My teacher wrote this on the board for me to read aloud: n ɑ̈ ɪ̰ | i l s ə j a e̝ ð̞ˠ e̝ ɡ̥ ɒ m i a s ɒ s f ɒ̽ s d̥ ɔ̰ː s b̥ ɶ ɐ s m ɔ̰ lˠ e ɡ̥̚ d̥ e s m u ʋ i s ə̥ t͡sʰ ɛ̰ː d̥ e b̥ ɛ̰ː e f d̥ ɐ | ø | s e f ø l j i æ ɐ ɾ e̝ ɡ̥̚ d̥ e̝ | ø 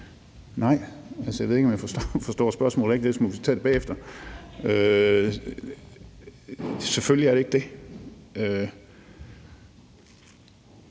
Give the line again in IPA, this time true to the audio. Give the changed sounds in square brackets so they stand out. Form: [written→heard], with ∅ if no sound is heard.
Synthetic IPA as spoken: n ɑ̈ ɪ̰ | [i→æ] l s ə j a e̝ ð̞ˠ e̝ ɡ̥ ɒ m [i→j] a [s→f] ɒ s f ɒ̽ s d̥ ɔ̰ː s b̥ ɶ ɐ s m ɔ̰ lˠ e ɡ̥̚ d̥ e s m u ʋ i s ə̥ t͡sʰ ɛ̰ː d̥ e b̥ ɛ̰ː e f d̥ ɐ | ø | s e f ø l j i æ ɐ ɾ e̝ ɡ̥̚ d̥ e̝ | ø